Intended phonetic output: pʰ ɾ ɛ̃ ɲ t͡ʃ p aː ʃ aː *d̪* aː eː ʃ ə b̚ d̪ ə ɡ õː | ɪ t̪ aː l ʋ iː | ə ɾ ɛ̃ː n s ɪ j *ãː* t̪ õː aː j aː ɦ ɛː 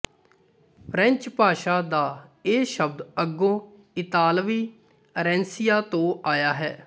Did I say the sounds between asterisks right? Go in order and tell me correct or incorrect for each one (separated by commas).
correct, incorrect